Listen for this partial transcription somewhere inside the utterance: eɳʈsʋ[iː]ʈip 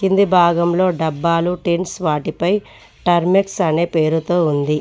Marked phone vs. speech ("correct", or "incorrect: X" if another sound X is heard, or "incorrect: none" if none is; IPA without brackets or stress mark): incorrect: aː